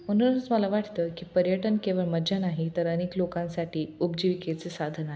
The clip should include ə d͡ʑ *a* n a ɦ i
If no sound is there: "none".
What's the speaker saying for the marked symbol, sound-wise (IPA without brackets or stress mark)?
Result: a